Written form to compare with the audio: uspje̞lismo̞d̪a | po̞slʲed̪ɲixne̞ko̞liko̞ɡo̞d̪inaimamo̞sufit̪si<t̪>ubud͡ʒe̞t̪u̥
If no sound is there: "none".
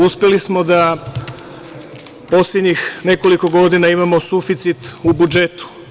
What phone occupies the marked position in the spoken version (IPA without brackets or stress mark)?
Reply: t̪